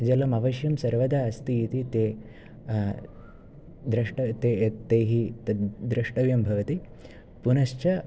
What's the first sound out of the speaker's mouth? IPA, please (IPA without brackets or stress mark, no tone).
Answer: d͡ʒ